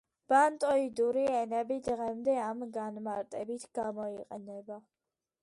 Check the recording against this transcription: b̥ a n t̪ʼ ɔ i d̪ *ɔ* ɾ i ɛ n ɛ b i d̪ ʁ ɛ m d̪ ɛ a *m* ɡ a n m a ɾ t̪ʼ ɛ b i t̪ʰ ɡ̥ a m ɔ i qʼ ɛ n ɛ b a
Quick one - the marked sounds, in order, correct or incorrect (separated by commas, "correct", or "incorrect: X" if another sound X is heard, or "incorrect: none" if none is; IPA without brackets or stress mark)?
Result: incorrect: u, correct